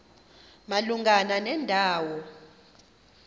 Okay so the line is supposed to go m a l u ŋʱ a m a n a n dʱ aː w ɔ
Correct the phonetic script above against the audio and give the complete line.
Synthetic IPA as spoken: m a l u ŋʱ a n a n ɛ n dʱ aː w ɔ